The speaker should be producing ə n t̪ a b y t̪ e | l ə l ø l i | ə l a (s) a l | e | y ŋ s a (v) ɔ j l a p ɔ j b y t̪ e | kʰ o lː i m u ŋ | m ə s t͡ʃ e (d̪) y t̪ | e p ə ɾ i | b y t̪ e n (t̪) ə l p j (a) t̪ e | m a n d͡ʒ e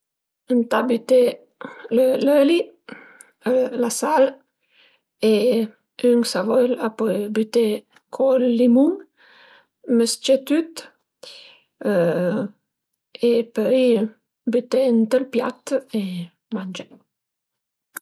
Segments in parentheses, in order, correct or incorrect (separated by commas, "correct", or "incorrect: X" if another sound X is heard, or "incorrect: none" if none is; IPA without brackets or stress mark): correct, correct, incorrect: t̪, correct, correct